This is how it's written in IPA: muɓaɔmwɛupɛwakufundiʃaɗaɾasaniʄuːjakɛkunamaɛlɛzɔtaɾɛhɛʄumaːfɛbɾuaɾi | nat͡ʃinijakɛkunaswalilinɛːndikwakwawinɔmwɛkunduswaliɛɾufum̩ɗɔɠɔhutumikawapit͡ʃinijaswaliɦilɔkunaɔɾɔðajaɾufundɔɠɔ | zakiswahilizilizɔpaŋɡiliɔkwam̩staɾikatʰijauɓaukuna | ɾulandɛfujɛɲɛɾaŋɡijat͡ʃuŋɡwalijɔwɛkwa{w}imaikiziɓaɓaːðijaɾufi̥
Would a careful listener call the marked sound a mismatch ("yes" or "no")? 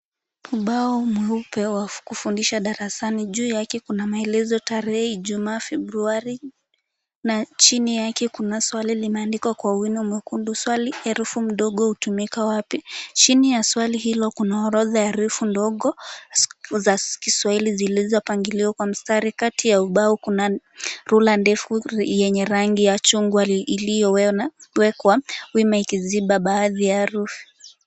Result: no